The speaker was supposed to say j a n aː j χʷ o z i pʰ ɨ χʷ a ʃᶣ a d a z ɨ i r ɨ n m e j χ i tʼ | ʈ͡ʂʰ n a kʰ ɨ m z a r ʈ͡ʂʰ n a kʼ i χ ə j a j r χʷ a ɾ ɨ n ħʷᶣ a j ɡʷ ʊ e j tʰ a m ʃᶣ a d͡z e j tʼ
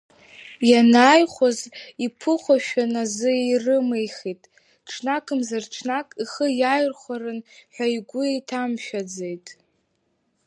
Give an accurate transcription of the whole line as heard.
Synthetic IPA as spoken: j a n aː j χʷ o z i pʰ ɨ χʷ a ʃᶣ a n a z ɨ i r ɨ m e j χ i tʼ | ʈ͡ʂʰ n a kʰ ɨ m z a r ʈ͡ʂʰ n a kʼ i χ ə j a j r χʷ a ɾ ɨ n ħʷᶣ a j ɡʷ ʊ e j tʰ a m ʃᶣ a d͡z e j tʼ